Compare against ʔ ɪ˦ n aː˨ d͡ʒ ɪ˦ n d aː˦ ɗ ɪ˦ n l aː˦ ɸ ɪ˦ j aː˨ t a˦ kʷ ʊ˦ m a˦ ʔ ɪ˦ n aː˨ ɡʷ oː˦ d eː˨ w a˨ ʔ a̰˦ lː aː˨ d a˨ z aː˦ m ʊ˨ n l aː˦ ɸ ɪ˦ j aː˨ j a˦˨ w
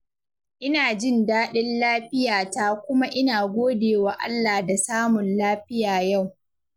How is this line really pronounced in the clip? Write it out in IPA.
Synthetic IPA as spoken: ʔ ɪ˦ n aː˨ d͡ʒ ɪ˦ n d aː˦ ɗ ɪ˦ n l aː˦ ɸ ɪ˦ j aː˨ t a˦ kʷ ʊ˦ m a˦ ʔ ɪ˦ n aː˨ ɡʷ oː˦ d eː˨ w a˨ ʔ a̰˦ lː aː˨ d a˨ s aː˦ m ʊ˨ n l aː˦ ɸ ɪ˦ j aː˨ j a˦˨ w